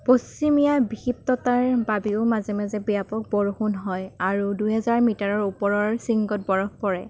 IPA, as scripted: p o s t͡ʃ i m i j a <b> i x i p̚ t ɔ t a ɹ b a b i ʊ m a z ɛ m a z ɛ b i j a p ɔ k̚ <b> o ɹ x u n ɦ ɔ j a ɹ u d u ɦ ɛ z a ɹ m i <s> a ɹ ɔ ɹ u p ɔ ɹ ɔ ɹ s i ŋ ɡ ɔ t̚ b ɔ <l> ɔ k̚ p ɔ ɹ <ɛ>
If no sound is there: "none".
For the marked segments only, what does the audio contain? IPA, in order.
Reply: b, b, t, ɹ, ɛ

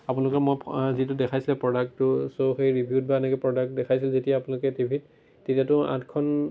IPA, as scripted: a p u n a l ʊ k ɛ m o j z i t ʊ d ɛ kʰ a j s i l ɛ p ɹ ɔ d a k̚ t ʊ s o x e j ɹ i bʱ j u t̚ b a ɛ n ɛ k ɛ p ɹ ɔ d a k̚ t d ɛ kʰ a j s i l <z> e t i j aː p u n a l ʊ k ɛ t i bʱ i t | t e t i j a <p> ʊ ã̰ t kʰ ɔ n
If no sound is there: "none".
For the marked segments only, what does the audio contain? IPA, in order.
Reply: z, t

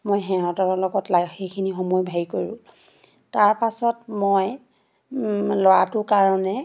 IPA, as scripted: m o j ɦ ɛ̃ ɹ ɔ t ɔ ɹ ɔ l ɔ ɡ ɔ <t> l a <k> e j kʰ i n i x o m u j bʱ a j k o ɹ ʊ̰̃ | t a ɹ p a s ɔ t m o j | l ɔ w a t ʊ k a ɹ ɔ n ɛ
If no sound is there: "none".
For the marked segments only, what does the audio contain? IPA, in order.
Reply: t, x

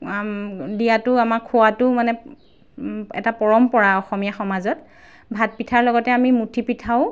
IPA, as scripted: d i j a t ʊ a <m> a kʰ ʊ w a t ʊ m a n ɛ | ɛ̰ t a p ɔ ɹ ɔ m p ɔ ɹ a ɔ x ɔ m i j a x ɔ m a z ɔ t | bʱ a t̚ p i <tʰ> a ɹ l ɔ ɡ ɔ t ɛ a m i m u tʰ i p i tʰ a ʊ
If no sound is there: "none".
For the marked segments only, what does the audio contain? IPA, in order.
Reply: m, tʰ

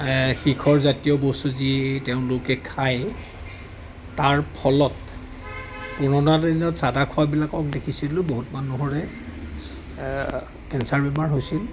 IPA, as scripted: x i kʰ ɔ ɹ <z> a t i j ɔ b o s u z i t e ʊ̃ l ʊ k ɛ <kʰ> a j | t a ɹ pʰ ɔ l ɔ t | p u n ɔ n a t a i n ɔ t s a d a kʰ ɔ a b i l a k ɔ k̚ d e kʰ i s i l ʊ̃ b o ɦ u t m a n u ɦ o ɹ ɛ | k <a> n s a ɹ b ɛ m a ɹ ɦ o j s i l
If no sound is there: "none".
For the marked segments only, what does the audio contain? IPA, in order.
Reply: z, kʰ, ɛ

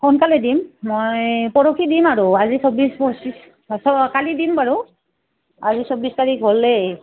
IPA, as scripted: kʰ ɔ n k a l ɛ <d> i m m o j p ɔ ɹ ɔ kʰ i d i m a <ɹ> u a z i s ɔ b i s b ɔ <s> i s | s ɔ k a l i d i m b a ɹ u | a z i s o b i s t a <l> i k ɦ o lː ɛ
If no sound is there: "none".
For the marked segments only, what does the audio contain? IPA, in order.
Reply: d, ɹ, s, ɹ

